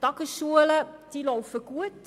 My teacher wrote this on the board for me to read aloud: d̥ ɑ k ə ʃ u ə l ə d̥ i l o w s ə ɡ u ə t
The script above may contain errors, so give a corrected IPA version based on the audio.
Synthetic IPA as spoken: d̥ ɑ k ə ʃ u ə l ə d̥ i l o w f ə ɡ u ə t